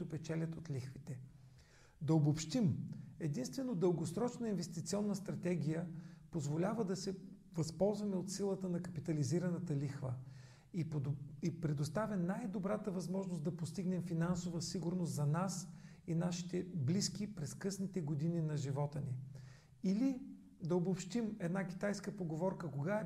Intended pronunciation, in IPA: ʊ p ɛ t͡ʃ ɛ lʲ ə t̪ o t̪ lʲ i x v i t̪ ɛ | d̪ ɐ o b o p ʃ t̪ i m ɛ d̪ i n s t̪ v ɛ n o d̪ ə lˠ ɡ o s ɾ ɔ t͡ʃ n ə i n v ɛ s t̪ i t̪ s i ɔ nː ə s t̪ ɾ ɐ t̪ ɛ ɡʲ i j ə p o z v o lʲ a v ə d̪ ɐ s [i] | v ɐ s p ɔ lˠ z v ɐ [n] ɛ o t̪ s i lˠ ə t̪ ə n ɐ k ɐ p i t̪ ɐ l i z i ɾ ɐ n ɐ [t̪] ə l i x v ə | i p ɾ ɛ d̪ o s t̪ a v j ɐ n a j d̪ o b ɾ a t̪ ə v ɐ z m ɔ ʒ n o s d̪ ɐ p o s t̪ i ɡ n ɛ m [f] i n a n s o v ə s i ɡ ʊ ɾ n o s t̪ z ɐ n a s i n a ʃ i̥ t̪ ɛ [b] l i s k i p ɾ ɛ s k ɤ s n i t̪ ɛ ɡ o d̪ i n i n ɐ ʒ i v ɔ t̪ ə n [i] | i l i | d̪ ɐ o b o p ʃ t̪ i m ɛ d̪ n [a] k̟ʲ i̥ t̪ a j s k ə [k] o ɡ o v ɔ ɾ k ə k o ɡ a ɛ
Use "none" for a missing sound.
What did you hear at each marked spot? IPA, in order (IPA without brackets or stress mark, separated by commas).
ɛ, m, t̪, f, b, i, a, p